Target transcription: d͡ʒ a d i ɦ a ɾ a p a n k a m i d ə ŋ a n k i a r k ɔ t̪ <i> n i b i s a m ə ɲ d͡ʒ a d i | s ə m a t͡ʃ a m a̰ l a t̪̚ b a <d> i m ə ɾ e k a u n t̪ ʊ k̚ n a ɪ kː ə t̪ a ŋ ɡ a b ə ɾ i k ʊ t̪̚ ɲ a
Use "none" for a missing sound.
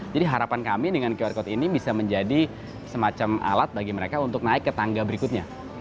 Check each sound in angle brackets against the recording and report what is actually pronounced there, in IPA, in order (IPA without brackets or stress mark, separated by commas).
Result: i, ɡ